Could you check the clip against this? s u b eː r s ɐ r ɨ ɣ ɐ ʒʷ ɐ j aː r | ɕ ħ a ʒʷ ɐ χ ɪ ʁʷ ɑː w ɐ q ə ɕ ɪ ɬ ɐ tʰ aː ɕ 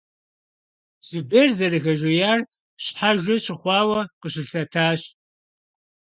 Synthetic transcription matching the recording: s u b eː r z ɐ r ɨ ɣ ɐ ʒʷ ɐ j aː r | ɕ ħ a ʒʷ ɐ ɕ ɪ χʷ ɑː w ɐ q ə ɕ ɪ ɬ ɐ tʰ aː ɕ